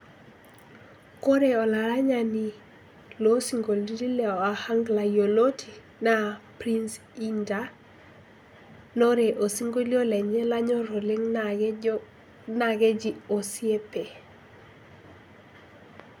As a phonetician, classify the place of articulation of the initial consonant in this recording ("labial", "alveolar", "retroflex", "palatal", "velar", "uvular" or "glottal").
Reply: velar